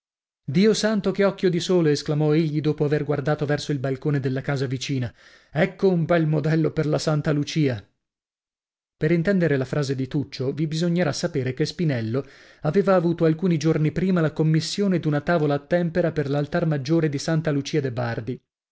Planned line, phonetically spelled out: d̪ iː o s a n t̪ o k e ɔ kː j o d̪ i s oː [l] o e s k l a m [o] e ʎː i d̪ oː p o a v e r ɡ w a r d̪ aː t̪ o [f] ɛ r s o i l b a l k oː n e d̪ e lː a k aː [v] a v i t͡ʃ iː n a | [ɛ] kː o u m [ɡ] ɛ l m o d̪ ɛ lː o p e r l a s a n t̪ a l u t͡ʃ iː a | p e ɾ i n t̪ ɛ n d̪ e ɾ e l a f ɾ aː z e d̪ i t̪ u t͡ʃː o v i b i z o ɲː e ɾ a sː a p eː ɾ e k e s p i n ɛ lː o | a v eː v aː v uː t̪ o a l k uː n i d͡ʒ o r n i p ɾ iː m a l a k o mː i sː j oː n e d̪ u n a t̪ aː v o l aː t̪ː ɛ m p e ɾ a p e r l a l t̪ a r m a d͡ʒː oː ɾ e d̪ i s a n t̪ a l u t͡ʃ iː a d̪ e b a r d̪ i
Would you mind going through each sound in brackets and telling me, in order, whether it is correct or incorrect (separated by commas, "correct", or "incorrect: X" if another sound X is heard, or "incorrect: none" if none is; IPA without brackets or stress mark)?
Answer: correct, incorrect: ɔ, incorrect: v, incorrect: z, correct, incorrect: b